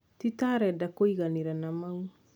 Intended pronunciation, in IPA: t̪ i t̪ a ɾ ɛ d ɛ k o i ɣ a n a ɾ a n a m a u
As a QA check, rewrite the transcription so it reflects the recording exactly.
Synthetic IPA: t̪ i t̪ a ɾ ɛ d a k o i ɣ a n i ɾ a n a m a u